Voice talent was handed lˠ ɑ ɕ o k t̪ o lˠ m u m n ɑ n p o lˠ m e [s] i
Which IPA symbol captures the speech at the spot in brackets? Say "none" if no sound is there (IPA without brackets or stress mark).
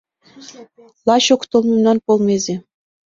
z